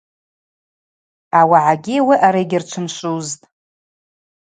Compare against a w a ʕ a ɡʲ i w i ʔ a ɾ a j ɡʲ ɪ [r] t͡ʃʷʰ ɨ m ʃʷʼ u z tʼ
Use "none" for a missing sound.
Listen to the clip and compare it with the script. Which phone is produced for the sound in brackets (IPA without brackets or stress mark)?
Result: r